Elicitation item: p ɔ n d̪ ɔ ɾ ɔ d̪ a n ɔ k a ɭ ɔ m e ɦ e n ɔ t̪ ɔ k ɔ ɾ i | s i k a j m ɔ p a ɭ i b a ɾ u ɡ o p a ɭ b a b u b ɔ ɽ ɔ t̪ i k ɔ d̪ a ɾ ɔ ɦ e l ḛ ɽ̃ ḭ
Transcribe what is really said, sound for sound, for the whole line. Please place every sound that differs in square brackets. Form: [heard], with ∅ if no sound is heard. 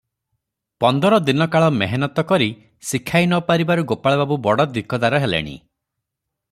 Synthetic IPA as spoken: p ɔ n d̪ ɔ ɾ ɔ d̪ [i] n ɔ k a ɭ ɔ m e ɦ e n ɔ t̪ ɔ k ɔ ɾ i | s i [kʰ] a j [n] ɔ p a [ɾ] i b a ɾ u ɡ o p a ɭ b a b u b ɔ ɽ ɔ [d̪] i k ɔ d̪ a ɾ ɔ ɦ e l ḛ ɽ̃ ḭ